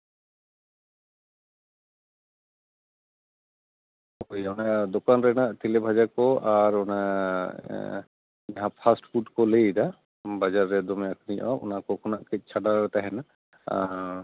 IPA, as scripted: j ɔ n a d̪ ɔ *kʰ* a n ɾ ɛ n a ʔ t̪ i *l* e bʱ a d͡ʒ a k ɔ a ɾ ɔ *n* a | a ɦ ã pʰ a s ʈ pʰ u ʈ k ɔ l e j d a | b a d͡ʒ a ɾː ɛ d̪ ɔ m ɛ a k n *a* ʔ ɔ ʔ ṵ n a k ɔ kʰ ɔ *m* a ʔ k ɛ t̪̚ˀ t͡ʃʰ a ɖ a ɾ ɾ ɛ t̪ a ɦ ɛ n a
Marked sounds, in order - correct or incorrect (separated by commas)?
incorrect, correct, correct, incorrect, incorrect